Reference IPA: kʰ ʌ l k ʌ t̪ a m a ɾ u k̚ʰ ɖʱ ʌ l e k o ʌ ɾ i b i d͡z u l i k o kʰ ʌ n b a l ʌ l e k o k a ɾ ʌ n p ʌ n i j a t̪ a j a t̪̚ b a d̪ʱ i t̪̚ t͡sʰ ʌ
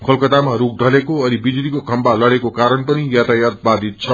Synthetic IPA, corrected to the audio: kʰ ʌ l k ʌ t̪ a m a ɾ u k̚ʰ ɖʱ ʌ l e k o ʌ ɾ i b i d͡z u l i k o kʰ ʌ m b a l ʌ ɽ e k o k a ɾ ʌ n p ʌ n i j a t̪ a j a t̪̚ b a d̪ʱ i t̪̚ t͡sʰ ʌ